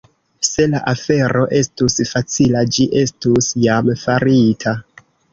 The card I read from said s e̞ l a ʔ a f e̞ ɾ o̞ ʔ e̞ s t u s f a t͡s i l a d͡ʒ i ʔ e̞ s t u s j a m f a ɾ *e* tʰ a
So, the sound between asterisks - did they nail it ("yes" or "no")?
no